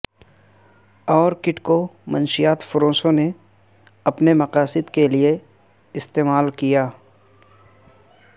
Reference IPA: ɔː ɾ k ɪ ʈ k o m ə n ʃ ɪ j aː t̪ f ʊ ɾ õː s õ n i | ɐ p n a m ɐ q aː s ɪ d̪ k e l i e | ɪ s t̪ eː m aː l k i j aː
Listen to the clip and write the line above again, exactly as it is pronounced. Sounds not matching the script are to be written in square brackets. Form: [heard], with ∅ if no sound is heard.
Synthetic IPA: ɔː ɾ k ɪ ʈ k o m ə n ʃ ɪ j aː t̪ f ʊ ɾ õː s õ n [e] | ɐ p n [e] m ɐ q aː s ɪ d̪ k e l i e | ɪ s t̪ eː m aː l k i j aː

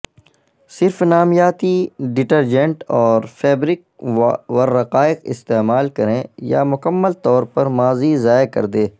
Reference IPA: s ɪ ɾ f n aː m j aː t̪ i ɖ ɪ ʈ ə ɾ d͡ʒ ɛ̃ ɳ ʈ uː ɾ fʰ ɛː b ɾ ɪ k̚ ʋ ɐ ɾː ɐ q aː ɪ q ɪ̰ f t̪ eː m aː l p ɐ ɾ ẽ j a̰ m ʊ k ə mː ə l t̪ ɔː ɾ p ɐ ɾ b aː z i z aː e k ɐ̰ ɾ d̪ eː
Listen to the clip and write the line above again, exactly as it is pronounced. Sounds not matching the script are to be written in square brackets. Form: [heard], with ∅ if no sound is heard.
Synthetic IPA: s ɪ ɾ f n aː m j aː t̪ i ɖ ɪ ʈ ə ɾ d͡ʒ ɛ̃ ɳ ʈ [ɔː] ɾ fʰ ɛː b ɾ ɪ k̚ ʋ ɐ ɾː ɐ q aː ɪ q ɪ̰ [s] t̪ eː m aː l [k] ɐ ɾ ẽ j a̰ m ʊ k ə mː ə l t̪ ɔː ɾ p ɐ ɾ [m] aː z i z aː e k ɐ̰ ɾ d̪ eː

